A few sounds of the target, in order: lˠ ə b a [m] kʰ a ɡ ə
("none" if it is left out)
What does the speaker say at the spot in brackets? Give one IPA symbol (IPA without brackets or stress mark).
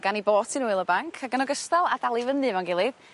ŋ